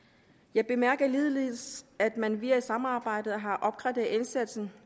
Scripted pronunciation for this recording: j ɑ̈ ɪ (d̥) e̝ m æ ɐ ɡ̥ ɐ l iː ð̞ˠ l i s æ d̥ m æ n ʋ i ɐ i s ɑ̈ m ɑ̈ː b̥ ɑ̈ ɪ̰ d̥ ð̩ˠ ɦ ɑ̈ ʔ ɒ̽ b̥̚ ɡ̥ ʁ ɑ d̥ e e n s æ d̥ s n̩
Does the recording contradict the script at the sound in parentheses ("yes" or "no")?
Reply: yes